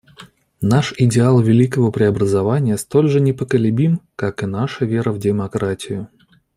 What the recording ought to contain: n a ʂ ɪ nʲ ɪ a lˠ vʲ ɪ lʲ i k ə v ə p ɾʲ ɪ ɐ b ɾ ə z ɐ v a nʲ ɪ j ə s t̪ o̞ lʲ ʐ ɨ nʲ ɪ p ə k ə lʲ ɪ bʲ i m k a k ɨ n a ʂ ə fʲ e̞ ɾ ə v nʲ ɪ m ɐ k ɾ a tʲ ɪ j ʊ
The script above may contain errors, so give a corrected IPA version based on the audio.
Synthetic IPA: n a ʂ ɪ dʲ ɪ a lˠ vʲ ɪ lʲ i k ə v ə p ɾʲ ɪ ɐ b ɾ ə z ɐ v a nʲ ɪ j ə s t̪ o̞ lʲ ʐ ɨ nʲ ɪ p ə k ə lʲ ɪ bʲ i m k a k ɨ n a ʂ ə vʲ e̞ ɾ ə v dʲ ɪ m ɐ k ɾ a tʲ ɪ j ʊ